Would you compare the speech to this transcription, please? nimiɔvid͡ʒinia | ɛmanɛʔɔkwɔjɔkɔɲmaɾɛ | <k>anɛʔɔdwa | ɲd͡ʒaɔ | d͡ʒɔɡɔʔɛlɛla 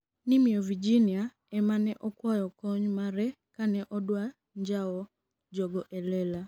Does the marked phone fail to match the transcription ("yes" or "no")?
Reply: no